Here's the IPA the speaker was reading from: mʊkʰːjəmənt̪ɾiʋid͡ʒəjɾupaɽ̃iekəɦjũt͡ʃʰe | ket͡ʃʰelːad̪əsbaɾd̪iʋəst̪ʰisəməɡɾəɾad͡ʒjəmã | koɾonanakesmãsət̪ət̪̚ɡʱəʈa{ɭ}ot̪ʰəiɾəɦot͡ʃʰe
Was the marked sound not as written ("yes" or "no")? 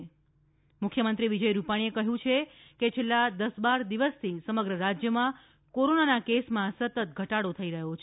yes